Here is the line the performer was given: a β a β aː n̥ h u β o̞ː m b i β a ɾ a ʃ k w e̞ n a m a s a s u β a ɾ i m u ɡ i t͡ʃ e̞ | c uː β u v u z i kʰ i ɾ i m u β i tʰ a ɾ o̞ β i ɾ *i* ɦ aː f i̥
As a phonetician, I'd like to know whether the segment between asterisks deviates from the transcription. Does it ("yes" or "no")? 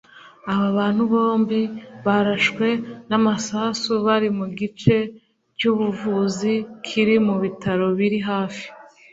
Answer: no